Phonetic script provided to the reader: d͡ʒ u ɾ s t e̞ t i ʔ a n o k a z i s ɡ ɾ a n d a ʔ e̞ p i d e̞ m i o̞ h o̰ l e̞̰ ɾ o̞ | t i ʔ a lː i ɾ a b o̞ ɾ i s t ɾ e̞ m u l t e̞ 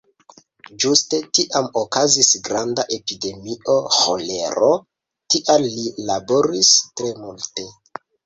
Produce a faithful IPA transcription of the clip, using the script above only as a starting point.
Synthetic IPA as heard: d͡ʒ u s t e̞ t i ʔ a m o k a z i s ɡ ɾ a n d a ʔ e̞ p i d e̞ m i o̞ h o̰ l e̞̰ ɾ o̞ | t i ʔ a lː i l a b o̞ ɾ i s t ɾ e̞ m u l t e̞